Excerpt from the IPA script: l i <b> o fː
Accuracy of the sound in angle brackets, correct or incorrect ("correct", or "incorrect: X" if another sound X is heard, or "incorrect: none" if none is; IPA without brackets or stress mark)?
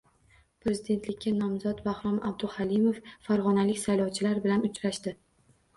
incorrect: m